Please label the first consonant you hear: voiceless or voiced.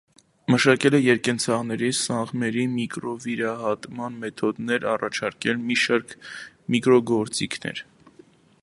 voiced